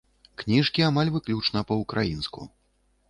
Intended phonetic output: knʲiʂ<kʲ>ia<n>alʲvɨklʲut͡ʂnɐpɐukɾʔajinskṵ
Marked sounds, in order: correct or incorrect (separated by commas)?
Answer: correct, incorrect